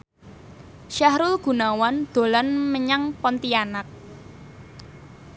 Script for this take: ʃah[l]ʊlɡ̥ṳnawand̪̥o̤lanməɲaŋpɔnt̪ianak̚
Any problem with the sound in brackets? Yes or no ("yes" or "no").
yes